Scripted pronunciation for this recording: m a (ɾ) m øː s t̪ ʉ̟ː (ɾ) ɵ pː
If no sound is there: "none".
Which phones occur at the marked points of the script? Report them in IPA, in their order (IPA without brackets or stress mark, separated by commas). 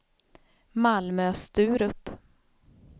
l, ɾ